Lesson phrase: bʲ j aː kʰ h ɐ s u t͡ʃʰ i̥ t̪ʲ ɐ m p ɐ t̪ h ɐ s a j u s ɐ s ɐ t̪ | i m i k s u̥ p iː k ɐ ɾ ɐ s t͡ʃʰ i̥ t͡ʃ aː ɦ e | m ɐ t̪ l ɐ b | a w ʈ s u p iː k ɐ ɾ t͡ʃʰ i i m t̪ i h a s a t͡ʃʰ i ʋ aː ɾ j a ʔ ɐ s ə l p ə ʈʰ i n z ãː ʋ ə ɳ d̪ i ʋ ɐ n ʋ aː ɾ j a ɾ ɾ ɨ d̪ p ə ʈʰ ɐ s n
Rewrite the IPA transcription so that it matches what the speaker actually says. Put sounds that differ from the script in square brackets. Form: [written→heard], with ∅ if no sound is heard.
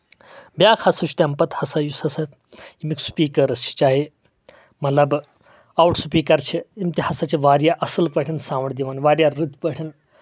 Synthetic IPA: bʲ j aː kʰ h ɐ s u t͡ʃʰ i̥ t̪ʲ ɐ m p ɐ t̪ h ɐ s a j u s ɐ s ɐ t̪ | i m i k s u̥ p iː k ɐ ɾ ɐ s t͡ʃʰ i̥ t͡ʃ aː ɦ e | m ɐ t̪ l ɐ b | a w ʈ s u p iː k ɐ ɾ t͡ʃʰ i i m t̪ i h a s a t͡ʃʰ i ʋ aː ɾ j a ʔ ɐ s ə l p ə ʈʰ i n [z→s] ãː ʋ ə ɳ d̪ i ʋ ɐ n ʋ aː ɾ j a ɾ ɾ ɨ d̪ p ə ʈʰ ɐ [s→∅] n